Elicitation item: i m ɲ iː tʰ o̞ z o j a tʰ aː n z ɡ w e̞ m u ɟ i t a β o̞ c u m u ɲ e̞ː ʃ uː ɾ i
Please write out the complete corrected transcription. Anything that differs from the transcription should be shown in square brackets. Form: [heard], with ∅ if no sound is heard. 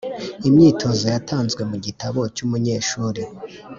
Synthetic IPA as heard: i m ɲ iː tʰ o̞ z o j a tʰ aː n z ɡ w e̞ m u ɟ i t a β o̞ c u m u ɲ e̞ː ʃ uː ɾ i